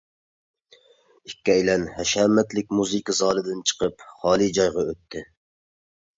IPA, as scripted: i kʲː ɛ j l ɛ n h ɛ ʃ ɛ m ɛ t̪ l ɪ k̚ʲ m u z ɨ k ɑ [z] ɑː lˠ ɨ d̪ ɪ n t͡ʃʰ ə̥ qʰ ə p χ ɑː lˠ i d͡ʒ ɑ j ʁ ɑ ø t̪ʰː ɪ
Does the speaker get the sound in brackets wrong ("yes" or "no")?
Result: no